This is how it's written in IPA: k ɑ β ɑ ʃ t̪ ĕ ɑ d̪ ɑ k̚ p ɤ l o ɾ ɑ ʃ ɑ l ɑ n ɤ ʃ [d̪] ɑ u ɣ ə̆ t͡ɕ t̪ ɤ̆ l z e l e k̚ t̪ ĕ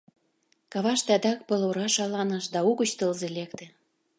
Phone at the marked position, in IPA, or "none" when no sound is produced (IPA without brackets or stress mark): d̪